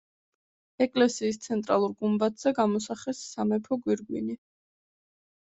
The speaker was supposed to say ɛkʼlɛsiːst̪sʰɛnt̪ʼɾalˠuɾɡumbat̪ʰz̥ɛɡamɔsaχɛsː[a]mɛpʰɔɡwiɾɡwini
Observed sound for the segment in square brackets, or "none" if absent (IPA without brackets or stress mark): a